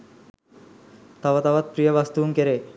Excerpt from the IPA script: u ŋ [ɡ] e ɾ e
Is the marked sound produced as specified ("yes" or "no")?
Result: no